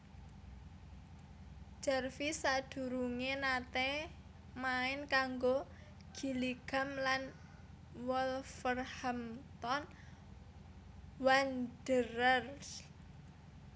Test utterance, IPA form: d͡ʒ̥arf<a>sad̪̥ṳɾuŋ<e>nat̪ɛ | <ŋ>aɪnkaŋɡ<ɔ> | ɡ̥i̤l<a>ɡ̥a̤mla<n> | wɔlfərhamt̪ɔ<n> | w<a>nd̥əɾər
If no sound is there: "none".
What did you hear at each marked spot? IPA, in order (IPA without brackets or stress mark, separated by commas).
i, e, m, o, i, n, n, a